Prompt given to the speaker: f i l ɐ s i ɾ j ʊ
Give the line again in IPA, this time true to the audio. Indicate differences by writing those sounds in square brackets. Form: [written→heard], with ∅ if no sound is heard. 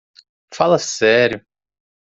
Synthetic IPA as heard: f [i→a] l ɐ s [i→ɛ] ɾ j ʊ